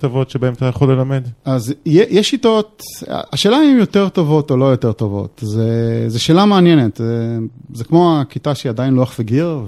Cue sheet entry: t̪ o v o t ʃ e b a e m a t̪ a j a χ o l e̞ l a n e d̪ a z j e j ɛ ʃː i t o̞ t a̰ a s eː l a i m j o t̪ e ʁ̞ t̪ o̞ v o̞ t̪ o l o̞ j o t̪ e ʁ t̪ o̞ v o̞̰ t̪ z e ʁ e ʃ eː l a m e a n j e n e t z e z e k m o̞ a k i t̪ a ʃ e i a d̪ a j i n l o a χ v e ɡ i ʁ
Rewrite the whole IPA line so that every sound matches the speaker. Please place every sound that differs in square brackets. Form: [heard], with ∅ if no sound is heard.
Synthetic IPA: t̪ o v o t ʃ e b a e m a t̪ a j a χ o l e̞ l a [m] e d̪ a z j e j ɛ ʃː i t o̞ t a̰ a [ʃ] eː l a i m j o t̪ e ʁ̞ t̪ o̞ v o̞ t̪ o l o̞ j o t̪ e ʁ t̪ o̞ v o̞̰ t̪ z e [z] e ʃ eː l a m e a n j e n e t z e z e k m o̞ a k i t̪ a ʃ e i a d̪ a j i n l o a χ v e ɡ i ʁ